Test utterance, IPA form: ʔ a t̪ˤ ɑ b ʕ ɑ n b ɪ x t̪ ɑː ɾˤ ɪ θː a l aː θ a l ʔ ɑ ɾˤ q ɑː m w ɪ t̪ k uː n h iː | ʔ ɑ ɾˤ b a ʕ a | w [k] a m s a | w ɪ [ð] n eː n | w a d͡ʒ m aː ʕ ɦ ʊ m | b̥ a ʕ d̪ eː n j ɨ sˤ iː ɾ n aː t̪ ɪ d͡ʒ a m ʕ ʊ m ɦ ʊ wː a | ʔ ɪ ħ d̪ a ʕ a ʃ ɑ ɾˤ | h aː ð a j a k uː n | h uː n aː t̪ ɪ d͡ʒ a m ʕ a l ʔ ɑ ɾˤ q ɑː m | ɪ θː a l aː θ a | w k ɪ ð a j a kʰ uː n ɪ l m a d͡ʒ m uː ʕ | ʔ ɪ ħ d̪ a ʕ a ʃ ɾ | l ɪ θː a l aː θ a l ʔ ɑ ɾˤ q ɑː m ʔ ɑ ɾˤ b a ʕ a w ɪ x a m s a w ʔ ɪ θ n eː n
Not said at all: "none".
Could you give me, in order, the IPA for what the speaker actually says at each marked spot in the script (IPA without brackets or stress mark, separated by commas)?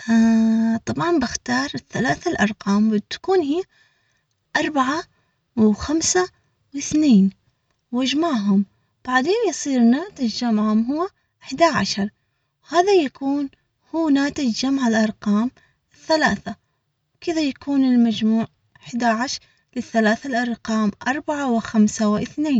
x, θ